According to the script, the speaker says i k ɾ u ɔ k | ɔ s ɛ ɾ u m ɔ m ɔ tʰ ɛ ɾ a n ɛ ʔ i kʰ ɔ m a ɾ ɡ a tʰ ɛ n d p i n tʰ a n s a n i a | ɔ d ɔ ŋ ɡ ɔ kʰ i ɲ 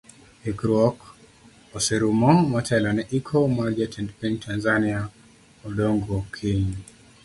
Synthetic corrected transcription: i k ɾ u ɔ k | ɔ s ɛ ɾ u m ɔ m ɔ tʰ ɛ l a n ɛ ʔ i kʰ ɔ m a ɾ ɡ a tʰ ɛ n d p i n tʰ a n z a n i a | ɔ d ɔ ŋ ɡ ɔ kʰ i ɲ